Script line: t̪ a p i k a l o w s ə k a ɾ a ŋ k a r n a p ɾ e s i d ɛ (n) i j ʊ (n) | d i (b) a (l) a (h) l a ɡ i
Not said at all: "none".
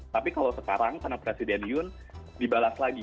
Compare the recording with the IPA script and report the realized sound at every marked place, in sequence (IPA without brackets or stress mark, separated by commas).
n, n, b, l, s